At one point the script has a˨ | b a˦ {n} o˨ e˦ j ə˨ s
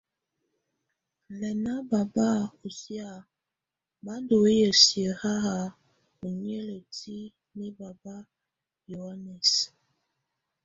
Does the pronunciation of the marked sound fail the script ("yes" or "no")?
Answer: yes